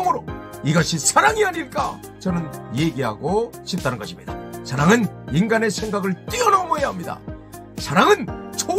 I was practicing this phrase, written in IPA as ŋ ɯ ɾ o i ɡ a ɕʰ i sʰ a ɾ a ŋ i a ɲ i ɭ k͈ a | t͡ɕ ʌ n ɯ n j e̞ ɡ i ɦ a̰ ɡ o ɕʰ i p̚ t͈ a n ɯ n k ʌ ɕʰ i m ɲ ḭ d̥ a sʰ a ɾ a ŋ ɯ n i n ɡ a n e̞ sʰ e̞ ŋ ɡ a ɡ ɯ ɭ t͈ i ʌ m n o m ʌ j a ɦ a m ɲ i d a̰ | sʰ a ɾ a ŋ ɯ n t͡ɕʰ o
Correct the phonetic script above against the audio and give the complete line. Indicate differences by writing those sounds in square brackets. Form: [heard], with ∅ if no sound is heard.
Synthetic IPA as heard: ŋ ɯ ɾ o i ɡ a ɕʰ i sʰ a ɾ a ŋ i a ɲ i ɭ k͈ a | t͡ɕ ʌ n ɯ n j e̞ ɡ i ɦ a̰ ɡ o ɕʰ i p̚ t͈ a n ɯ n [ɡ] ʌ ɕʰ i m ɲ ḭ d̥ a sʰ a ɾ a ŋ ɯ n i n ɡ a n e̞ sʰ e̞ ŋ ɡ a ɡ ɯ ɭ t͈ i ʌ [∅] n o m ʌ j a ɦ a m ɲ i d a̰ | sʰ a ɾ a ŋ ɯ n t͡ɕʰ o